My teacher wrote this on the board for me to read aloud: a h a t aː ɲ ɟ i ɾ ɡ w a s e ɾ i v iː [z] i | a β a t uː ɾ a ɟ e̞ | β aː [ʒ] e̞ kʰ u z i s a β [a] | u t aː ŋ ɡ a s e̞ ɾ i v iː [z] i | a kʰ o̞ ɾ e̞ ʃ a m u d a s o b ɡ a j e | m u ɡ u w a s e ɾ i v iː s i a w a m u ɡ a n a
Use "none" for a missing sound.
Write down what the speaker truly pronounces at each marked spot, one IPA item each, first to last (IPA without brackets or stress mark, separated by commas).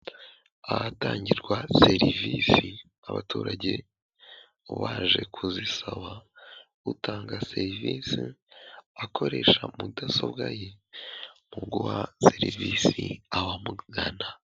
s, ʒ, a, s